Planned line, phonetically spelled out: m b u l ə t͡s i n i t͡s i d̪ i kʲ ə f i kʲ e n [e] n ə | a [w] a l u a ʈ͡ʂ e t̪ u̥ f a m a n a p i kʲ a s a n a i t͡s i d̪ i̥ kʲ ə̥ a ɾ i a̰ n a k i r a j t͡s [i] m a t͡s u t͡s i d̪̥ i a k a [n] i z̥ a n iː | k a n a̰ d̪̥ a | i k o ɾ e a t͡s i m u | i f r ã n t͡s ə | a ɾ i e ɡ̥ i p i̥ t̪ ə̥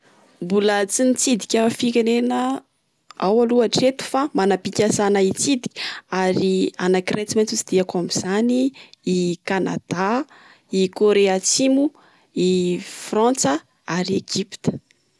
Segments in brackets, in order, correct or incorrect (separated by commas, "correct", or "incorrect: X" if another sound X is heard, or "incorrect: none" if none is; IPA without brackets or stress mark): correct, correct, correct, incorrect: m